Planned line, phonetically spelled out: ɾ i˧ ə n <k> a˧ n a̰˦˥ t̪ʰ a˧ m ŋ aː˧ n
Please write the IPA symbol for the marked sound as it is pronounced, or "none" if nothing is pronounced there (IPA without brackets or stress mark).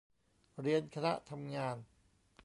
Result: kʰ